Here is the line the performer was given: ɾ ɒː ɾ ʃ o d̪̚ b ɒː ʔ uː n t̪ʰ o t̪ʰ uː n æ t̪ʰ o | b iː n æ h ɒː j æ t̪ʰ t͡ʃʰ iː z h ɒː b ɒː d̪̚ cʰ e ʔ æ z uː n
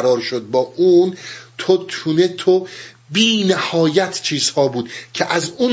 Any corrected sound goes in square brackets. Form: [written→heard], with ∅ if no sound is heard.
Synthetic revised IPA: ɾ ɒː ɾ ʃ o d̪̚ b ɒː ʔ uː n t̪ʰ o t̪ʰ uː n [æ→e] t̪ʰ o | b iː n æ h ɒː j æ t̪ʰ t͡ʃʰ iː z h ɒː b [ɒː→uː] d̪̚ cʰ e ʔ æ z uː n